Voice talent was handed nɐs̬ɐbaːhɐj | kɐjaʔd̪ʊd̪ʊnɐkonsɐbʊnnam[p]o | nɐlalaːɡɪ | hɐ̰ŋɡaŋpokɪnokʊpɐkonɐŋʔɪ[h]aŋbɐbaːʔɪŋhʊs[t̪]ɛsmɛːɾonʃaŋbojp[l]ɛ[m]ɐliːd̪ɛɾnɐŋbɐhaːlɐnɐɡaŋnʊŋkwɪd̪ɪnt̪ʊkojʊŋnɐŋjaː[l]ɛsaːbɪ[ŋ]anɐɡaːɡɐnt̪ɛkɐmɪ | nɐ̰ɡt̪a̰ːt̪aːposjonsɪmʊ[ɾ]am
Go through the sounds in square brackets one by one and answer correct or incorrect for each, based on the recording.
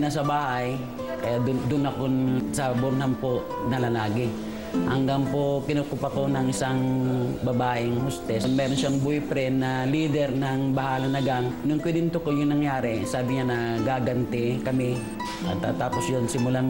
correct, incorrect: s, correct, incorrect: ɾ, incorrect: n, incorrect: ɾ, incorrect: ɲ, incorrect: l

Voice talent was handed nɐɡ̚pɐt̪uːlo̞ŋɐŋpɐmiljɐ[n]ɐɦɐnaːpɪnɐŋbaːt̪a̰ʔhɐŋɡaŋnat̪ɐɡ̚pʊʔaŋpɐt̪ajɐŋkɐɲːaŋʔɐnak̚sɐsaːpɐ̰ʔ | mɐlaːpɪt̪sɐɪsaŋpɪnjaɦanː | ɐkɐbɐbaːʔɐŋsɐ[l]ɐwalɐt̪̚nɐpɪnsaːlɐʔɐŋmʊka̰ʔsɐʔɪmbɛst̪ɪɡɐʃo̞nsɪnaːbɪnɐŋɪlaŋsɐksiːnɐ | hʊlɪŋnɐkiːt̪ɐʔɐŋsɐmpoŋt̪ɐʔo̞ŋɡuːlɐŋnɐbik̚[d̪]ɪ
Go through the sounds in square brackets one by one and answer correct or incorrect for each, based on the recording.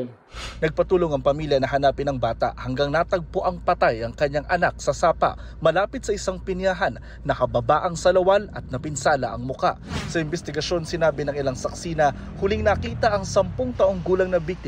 correct, correct, incorrect: t̪

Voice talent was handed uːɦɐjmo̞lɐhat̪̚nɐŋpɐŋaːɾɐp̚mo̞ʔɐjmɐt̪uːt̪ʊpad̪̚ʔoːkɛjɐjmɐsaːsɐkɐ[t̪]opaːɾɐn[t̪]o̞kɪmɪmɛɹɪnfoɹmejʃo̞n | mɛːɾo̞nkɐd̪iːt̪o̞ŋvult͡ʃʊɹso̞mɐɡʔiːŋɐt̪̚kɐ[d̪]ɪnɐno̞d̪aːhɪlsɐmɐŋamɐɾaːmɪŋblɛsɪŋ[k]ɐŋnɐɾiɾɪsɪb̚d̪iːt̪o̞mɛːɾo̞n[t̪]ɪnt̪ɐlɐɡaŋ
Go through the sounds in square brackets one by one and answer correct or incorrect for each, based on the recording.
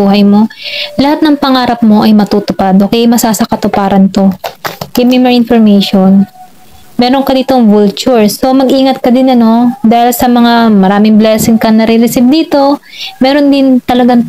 correct, correct, correct, correct, incorrect: d̪

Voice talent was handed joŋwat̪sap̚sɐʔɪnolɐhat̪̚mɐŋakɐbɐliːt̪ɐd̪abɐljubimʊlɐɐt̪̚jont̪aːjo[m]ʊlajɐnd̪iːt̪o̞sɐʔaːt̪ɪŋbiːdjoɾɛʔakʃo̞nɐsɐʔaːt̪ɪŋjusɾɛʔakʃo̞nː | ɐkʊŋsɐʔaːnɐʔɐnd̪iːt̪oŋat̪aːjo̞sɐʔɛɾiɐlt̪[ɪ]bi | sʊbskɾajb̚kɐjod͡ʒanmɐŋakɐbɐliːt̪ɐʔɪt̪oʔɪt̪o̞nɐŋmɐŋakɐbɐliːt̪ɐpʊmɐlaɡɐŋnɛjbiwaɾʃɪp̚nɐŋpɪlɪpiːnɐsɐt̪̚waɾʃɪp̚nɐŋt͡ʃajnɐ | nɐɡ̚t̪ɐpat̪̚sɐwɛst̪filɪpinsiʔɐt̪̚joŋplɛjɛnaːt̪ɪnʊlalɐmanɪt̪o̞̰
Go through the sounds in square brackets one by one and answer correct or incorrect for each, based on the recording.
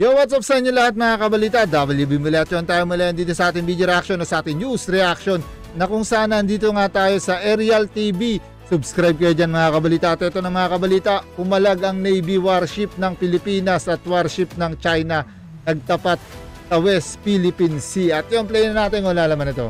correct, incorrect: i

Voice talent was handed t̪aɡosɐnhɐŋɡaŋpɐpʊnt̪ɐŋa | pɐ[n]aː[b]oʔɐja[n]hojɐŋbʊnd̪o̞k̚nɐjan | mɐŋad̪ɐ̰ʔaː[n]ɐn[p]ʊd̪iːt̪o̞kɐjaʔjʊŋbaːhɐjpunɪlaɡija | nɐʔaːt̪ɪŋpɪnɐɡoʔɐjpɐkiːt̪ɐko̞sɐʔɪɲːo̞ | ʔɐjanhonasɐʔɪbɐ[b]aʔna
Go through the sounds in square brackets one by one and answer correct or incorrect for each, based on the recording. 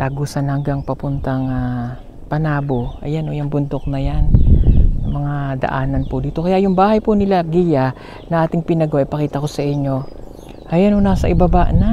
correct, correct, correct, correct, correct, correct

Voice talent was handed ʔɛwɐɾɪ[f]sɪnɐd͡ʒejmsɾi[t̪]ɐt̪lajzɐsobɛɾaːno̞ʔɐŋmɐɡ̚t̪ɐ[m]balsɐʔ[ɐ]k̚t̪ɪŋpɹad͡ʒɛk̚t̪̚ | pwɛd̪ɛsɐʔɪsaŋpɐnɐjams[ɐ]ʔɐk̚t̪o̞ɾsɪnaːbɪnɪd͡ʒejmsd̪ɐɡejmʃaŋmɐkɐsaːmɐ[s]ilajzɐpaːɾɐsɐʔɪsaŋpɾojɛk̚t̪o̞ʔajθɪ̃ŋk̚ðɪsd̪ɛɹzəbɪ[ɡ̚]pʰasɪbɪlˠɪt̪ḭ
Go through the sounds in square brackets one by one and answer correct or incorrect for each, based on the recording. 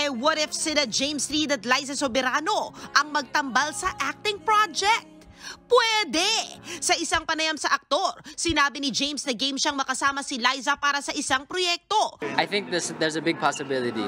correct, incorrect: d̪, correct, incorrect: a, correct, correct, correct

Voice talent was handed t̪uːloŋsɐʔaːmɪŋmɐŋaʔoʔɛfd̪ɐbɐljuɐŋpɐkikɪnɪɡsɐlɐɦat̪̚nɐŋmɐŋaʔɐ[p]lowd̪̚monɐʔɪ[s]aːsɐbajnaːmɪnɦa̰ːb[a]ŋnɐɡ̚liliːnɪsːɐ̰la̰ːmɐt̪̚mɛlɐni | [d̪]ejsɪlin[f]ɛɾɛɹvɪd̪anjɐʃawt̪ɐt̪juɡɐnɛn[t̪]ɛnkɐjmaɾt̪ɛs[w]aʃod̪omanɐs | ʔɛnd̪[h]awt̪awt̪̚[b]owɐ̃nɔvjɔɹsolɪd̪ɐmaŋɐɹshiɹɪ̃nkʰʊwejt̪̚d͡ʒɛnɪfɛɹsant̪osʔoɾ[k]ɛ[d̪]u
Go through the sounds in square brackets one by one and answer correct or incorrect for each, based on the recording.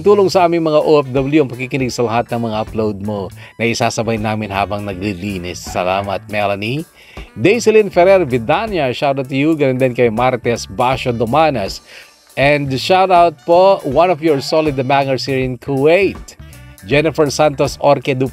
correct, correct, incorrect: ɐ, correct, correct, incorrect: d̪, incorrect: b, incorrect: ʃ, incorrect: p, correct, correct

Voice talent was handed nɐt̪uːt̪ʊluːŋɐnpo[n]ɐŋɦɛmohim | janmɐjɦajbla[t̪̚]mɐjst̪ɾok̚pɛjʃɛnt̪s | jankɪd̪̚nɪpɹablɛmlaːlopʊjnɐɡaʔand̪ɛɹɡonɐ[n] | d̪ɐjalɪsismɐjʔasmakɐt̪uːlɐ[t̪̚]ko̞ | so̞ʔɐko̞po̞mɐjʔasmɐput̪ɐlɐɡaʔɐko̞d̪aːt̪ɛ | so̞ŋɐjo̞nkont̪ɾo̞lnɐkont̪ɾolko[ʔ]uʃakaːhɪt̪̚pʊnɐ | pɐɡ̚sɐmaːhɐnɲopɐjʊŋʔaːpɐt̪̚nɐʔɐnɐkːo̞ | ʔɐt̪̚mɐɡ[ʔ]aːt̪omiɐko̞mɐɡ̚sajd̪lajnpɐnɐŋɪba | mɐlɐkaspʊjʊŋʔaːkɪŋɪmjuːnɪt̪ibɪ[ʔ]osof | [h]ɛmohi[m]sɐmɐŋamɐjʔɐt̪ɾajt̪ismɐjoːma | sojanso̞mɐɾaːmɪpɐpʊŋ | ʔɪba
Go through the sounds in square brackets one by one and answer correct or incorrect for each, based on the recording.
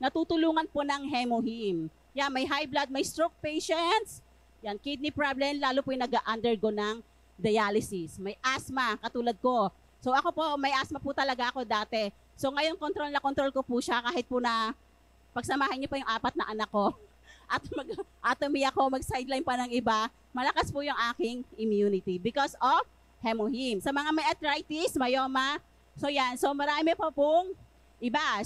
correct, incorrect: d̪̚, incorrect: ŋ, incorrect: d̪̚, incorrect: p, correct, incorrect: k, correct, correct

